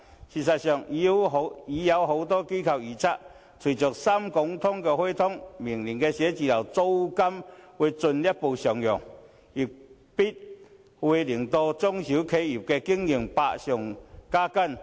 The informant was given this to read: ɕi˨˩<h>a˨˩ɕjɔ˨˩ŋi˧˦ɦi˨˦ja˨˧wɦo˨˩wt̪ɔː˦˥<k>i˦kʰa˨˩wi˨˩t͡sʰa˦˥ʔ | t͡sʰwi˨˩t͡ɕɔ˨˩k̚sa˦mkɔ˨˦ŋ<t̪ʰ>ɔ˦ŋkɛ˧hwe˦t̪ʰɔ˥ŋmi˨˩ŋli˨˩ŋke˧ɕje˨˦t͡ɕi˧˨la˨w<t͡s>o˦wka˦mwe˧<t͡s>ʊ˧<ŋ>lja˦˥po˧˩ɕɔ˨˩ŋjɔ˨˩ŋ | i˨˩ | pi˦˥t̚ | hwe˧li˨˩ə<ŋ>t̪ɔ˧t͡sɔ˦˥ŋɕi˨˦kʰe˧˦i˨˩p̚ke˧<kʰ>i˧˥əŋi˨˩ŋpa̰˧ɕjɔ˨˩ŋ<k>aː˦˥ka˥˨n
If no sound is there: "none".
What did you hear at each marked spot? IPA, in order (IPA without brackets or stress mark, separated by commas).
s, k, t̪ʰ, t͡s, t͡s, n, ŋ, k, k